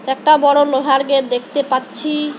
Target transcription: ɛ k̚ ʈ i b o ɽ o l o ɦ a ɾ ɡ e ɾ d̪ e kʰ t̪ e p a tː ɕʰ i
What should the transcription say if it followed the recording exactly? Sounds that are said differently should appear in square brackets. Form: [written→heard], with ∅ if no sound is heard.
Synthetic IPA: ɛ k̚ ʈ [i→a] b [o→ɔ] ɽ o l o ɦ a ɾ ɡ e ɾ d̪ e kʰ t̪ e p a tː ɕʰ i